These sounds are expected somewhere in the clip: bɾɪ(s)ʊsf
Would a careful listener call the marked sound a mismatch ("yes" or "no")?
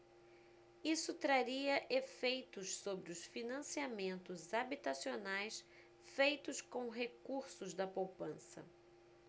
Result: yes